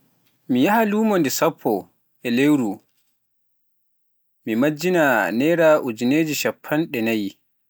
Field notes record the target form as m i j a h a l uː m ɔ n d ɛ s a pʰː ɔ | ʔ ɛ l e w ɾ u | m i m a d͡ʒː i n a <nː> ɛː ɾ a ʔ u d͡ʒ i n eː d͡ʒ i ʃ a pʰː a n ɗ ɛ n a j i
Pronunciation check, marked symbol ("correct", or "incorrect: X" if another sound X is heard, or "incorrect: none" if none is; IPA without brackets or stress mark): incorrect: n